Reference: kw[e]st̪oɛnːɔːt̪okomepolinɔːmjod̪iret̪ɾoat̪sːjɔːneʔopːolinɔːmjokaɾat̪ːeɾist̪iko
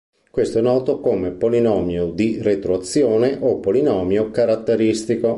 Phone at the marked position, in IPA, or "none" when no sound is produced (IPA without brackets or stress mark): e